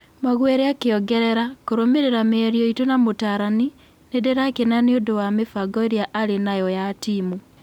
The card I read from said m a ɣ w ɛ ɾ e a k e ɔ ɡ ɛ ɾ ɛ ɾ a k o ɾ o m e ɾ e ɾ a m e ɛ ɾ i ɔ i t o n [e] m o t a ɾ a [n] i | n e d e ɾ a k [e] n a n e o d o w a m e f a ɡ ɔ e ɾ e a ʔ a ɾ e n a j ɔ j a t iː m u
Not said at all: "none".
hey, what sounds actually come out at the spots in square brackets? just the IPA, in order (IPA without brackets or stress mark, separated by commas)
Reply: a, n, e